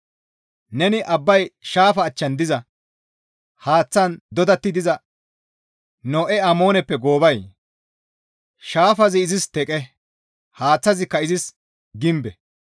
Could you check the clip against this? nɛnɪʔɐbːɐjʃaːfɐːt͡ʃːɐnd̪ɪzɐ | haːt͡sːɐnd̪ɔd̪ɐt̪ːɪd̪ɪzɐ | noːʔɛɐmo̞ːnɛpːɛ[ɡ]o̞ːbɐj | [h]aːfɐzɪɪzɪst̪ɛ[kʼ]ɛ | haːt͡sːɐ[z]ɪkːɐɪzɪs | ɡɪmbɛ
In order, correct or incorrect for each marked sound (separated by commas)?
correct, incorrect, correct, correct